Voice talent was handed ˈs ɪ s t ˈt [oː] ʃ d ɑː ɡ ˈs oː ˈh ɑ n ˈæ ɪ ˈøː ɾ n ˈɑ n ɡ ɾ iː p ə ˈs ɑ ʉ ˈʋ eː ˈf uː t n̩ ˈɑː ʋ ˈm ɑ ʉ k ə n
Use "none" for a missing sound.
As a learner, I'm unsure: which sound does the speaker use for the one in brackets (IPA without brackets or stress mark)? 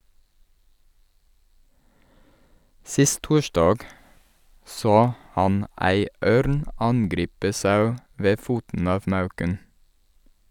uː